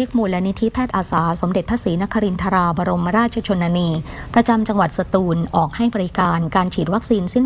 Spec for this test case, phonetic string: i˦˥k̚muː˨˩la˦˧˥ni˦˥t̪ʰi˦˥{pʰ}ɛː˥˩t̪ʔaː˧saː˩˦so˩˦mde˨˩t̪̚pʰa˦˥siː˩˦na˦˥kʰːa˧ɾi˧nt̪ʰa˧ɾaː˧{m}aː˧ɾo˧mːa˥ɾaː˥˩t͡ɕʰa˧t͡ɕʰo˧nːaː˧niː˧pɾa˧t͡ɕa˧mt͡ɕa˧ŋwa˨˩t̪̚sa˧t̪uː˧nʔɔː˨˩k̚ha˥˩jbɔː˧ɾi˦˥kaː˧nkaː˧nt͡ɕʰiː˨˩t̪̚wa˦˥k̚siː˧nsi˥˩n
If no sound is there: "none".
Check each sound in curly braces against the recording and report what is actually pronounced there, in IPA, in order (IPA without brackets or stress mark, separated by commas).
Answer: pʰ, b